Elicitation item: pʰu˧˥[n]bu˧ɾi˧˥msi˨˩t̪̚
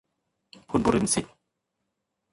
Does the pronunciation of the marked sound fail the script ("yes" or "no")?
no